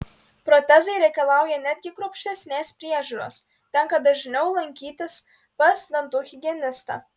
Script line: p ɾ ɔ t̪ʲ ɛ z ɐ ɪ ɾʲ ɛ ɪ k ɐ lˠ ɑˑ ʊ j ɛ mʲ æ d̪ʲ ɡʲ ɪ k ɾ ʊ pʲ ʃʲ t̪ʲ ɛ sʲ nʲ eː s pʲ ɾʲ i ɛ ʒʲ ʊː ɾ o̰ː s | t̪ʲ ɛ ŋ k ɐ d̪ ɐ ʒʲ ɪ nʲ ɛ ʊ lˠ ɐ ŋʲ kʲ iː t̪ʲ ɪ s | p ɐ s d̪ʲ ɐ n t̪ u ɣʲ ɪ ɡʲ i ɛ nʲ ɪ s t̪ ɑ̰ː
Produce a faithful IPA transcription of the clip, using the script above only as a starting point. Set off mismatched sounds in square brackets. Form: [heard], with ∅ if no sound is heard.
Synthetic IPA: p ɾ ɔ t̪ʲ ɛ z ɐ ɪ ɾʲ ɛ ɪ k ɐ lˠ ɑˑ ʊ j ɛ [nʲ] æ d̪ʲ ɡʲ ɪ k ɾ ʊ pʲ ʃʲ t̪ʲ ɛ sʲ nʲ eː s pʲ ɾʲ i ɛ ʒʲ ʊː ɾ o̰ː s | t̪ʲ ɛ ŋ k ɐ d̪ ɐ ʒʲ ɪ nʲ ɛ ʊ lˠ ɐ ŋʲ kʲ iː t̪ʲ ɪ s | p ɐ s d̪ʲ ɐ n t̪ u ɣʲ ɪ ɡʲ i ɛ nʲ ɪ s t̪ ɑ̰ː

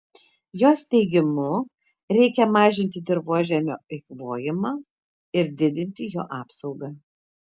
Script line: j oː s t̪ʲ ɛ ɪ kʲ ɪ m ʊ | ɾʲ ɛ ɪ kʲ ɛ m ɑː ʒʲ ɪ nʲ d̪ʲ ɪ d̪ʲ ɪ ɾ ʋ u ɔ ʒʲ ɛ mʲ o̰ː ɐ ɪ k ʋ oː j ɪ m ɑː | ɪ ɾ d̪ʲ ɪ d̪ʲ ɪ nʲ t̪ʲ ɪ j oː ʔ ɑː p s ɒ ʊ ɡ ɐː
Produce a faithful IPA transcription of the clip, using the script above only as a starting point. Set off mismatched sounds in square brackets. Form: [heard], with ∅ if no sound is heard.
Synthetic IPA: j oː s t̪ʲ ɛ ɪ [ɡʲ] ɪ m ʊ | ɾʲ ɛ ɪ kʲ ɛ m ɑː ʒʲ ɪ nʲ [t̪ʲ] ɪ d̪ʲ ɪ ɾ ʋ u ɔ ʒʲ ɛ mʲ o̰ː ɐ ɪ k ʋ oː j ɪ m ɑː | ɪ ɾ d̪ʲ ɪ d̪ʲ ɪ nʲ t̪ʲ ɪ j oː ʔ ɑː p s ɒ ʊ ɡ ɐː

